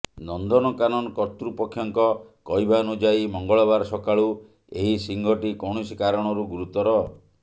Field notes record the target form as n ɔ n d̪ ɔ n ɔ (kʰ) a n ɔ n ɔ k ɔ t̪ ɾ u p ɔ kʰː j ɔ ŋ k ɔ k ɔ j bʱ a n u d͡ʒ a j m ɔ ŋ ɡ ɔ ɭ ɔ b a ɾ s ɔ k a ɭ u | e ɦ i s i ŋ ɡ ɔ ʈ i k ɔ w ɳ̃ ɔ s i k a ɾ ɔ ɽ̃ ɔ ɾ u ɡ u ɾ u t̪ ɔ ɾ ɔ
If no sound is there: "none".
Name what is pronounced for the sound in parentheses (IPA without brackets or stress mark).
k